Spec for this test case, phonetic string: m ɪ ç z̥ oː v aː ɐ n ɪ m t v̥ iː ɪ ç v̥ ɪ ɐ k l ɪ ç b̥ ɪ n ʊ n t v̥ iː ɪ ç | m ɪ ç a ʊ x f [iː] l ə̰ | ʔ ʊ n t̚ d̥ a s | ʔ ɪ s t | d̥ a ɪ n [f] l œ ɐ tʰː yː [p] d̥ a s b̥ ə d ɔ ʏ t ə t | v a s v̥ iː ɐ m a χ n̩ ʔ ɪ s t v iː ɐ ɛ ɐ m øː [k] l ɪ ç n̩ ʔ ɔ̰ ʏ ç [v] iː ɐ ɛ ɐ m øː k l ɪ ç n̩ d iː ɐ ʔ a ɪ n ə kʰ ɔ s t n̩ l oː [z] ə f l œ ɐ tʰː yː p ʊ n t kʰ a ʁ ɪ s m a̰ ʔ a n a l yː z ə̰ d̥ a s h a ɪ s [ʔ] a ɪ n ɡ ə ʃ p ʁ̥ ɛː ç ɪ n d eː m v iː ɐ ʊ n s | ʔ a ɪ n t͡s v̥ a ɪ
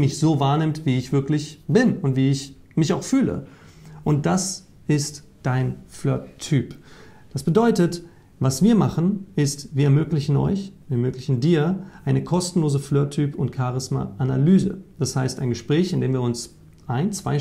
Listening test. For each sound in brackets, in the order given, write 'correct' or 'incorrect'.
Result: incorrect, correct, correct, correct, correct, correct, incorrect

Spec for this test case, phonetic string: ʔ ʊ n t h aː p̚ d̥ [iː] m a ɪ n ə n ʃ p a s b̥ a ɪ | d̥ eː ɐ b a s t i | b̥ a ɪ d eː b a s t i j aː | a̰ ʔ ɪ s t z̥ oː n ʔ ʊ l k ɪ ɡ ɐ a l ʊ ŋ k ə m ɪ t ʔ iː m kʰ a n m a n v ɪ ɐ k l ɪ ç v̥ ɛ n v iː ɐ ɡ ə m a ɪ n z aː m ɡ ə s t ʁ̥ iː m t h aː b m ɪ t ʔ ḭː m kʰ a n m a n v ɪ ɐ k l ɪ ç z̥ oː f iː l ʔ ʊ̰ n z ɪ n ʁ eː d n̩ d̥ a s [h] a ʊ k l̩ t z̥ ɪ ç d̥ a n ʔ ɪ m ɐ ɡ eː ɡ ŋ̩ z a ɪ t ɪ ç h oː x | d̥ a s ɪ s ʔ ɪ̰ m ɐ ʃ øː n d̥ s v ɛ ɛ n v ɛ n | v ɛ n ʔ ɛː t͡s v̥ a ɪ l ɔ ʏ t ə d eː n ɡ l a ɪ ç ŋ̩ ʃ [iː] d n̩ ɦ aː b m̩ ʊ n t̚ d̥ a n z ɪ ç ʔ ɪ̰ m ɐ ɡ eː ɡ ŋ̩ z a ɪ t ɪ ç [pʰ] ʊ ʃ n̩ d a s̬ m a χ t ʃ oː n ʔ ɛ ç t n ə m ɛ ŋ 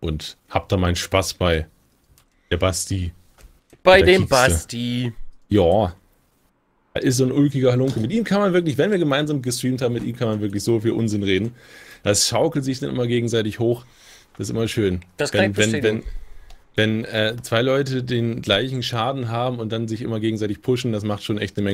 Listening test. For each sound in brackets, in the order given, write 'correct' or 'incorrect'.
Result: incorrect, incorrect, incorrect, correct

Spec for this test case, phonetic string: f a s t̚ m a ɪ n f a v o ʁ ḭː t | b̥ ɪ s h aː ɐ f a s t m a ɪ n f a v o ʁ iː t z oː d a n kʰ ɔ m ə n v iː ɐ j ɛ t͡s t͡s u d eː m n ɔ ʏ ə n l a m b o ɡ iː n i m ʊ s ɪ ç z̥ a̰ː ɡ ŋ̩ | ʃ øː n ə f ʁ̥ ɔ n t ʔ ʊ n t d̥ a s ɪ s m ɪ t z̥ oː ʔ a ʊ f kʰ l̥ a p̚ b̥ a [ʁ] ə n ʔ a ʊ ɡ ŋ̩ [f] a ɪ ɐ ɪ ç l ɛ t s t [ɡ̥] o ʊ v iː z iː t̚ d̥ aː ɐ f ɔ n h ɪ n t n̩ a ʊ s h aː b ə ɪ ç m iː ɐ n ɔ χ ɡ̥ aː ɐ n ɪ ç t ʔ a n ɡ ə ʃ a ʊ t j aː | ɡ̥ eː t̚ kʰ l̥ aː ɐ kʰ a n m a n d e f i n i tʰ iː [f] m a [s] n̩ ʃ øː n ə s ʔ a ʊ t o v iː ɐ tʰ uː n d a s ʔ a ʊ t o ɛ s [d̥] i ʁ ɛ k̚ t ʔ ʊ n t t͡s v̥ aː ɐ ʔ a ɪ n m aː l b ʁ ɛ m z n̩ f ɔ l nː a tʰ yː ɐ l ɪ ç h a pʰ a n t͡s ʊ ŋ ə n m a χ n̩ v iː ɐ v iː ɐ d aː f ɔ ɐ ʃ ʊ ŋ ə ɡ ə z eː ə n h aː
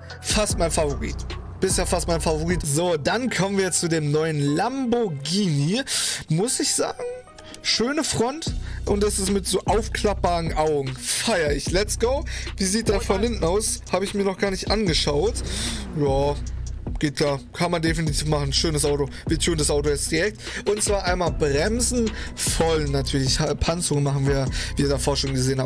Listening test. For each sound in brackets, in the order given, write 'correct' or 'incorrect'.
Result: correct, correct, correct, correct, incorrect, correct

